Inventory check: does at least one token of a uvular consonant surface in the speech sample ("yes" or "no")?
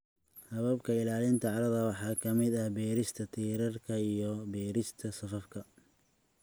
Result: no